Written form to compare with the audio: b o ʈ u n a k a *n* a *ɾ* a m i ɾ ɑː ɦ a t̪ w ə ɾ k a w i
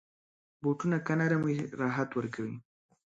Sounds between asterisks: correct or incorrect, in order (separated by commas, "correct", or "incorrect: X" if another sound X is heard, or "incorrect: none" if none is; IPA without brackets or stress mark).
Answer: correct, correct